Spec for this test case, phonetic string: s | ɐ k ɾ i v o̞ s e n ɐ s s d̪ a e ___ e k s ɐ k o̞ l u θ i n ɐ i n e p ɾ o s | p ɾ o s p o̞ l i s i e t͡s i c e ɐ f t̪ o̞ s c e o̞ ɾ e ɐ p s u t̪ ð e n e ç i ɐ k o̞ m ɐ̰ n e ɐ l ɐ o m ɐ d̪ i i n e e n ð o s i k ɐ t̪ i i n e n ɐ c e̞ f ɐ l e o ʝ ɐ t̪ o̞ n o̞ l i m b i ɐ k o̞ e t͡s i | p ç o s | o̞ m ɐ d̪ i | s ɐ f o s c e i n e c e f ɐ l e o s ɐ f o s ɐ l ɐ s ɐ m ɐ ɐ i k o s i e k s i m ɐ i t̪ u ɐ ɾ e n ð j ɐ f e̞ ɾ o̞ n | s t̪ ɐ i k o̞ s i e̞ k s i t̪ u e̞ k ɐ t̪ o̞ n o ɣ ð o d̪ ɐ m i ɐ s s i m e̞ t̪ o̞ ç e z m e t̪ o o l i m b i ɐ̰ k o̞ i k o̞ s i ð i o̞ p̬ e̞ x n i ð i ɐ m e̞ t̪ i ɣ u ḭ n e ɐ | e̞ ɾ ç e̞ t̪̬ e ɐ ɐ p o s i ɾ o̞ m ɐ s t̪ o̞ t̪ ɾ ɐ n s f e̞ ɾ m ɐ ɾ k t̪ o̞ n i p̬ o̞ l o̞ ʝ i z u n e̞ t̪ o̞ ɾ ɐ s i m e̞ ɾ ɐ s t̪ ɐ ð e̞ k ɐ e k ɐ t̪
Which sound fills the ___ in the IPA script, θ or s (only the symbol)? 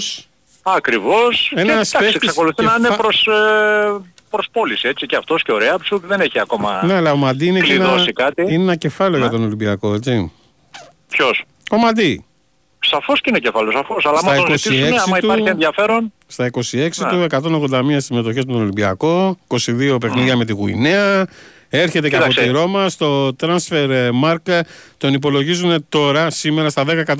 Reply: s